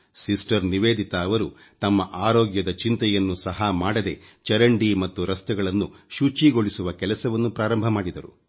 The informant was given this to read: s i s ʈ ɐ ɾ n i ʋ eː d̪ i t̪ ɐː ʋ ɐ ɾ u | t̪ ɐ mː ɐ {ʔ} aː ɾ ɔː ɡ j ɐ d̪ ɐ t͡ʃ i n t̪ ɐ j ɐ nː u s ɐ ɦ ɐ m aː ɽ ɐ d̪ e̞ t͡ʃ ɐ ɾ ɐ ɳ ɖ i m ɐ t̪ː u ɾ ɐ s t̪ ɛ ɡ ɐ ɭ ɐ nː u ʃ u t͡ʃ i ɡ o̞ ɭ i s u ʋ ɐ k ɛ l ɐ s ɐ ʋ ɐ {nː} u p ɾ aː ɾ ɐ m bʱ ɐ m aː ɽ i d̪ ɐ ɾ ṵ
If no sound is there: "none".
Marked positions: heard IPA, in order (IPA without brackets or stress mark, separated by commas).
ʔ, nː